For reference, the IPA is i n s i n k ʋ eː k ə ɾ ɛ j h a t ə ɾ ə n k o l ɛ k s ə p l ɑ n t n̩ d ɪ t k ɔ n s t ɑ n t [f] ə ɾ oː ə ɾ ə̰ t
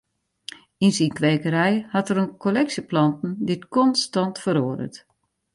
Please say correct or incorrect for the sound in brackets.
correct